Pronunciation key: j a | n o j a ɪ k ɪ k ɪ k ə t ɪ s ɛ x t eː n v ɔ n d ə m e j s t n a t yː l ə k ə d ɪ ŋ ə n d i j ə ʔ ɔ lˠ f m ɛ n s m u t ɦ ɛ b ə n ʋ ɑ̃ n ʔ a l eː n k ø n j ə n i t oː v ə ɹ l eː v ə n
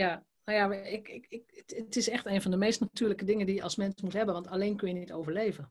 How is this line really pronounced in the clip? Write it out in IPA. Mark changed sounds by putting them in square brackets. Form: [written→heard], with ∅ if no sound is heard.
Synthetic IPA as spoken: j a | n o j a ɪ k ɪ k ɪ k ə t ɪ s ɛ x t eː n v ɔ n d ə m e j s t n a t yː l ə k ə d ɪ ŋ ə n d i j ə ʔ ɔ lˠ [f→s] m ɛ n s m u t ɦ ɛ b ə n ʋ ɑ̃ n [ʔ→t] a l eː n k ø n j ə n i t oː v ə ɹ l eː v ə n